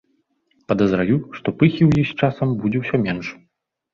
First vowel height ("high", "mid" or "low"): low